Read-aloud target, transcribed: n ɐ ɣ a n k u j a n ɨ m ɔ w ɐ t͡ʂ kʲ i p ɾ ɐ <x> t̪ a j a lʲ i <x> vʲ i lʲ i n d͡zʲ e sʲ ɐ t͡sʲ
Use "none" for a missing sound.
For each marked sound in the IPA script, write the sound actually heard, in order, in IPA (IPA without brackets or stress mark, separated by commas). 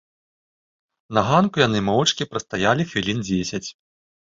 s, x